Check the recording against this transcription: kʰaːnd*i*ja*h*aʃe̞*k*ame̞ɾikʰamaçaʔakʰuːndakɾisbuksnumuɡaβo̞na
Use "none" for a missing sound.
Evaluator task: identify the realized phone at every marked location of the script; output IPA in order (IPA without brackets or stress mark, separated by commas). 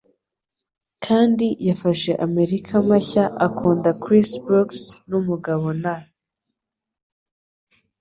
i, f, ʔ